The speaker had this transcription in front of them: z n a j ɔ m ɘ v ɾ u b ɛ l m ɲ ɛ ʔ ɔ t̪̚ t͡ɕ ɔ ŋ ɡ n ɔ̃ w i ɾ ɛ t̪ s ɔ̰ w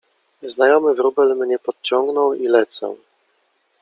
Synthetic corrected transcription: z n a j ɔ m ɘ v ɾ u b ɛ l m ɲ ɛ p ɔ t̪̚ t͡ɕ ɔ ŋ ɡ n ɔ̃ w i l ɛ t̪ s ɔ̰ w